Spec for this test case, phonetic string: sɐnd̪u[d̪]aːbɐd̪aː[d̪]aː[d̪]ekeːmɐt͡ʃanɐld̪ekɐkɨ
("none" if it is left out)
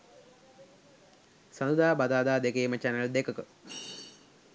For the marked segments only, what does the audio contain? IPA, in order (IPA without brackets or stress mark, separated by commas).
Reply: d̪, d̪, d̪